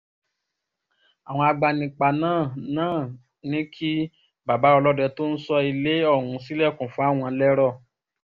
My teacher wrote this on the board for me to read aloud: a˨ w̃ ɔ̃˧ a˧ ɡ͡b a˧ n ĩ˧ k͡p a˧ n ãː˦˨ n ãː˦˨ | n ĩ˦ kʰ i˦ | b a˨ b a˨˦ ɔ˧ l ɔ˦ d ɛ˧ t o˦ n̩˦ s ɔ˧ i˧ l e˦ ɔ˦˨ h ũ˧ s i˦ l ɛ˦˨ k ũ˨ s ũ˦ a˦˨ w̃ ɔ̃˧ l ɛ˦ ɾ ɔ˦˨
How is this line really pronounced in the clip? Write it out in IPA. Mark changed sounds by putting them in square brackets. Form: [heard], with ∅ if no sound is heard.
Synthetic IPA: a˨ w̃ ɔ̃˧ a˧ ɡ͡b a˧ n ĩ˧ k͡p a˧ n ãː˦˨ n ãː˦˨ | n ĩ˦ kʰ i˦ | b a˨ b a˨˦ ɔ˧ l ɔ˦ d ɛ˧ t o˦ n̩˦ s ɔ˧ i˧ l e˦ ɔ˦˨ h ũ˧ s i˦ l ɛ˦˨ k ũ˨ [f] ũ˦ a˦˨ w̃ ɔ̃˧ l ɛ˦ ɾ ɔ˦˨